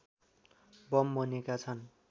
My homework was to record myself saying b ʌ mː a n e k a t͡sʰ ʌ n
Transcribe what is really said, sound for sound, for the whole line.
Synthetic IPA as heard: b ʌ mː ʌ n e k a t͡sʰ ʌ n

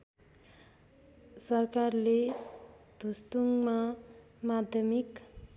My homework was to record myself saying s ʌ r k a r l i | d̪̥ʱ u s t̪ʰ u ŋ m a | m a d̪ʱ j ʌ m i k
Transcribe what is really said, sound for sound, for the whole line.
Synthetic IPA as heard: s ʌ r k a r l e | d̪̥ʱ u s t̪ u ŋ m a | m a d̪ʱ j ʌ m i k

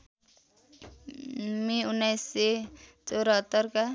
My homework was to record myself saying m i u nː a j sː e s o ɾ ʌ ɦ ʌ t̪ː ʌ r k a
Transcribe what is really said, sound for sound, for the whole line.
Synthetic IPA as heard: m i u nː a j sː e t͡s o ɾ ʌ ɦ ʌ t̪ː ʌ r k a

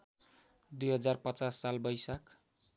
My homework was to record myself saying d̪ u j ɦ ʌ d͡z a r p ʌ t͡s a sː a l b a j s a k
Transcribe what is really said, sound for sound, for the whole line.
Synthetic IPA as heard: d̪ u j ɦ ʌ d͡z a r p ʌ t͡s a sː a l b ʌ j s a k

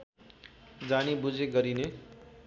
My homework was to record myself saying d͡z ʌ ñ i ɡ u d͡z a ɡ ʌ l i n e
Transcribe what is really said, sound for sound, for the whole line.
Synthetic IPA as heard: d͡z a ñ i b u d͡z e ɡ ʌ ɾ i n e

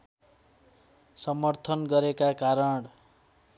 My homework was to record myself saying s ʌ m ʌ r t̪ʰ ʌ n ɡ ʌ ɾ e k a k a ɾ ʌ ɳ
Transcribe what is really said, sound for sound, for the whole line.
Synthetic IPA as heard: s ʌ m ʌ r t̪ʰ ʌ n ɡ ʌ ɾ e k a k a ɾ ʌ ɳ

